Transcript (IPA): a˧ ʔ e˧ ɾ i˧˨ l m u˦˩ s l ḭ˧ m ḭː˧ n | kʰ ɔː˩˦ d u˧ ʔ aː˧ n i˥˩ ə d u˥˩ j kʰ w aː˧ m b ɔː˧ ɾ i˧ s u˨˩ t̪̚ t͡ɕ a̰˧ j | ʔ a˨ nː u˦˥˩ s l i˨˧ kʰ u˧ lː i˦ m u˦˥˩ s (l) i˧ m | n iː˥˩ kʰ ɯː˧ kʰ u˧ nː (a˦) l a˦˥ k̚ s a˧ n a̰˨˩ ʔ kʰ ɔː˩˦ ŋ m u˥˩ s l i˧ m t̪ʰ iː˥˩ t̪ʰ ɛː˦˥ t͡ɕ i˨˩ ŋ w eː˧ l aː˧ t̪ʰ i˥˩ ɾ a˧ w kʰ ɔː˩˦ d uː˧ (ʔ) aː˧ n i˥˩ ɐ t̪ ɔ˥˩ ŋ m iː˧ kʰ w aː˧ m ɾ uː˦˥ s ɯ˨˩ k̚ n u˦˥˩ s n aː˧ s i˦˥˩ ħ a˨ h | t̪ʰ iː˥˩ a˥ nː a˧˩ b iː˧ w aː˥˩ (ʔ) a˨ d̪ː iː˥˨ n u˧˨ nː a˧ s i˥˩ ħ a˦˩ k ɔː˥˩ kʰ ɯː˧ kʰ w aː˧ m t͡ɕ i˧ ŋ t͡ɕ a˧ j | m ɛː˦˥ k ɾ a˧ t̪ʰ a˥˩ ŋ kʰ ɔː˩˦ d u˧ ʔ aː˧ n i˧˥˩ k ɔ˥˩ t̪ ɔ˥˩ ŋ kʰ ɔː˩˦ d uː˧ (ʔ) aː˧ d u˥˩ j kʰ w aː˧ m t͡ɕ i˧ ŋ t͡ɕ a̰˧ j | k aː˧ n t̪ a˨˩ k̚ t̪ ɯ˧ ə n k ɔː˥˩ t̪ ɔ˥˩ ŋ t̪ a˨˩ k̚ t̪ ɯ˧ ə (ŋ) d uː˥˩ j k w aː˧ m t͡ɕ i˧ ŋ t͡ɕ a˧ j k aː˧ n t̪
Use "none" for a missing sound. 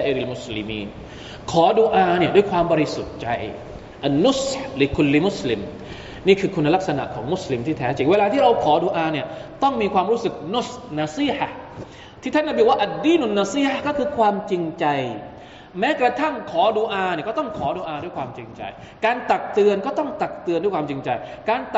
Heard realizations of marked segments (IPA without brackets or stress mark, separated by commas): l, a˦, ʔ, ʔ, ʔ, n